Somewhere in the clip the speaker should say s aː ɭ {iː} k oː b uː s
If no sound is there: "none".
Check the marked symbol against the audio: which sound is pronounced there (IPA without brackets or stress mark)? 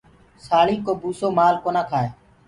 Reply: iː